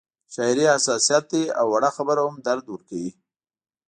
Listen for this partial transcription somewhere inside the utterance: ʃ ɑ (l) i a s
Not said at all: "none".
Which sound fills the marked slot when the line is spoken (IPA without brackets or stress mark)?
ɾ